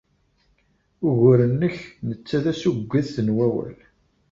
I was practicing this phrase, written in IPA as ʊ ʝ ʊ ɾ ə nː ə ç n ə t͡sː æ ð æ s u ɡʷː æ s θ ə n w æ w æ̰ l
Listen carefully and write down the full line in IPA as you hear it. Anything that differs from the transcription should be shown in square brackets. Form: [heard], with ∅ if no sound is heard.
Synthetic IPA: ʊ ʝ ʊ ɾ ə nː ə ç n ə t͡sː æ ð æ s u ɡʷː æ [θ] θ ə n w æ w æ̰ l